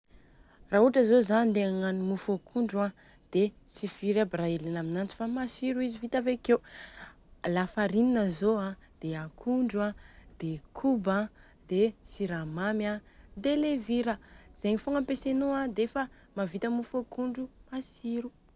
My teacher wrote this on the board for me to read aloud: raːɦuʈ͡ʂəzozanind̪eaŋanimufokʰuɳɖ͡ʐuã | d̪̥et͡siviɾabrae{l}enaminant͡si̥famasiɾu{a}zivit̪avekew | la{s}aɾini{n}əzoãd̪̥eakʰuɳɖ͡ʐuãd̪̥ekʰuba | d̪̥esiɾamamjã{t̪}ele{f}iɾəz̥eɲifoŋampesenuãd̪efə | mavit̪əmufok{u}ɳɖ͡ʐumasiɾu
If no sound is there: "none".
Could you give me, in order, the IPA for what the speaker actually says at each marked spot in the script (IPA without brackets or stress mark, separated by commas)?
l, i, f, n, d̪, v, u